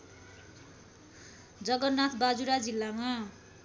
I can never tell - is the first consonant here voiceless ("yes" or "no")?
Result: no